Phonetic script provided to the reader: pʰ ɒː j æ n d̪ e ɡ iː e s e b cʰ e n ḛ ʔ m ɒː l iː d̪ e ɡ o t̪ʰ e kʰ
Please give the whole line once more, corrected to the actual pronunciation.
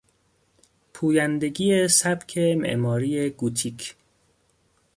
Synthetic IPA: pʰ uː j æ n d̪ e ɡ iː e s æ b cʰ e m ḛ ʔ m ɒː ɾ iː e ɡ u t̪ʰ i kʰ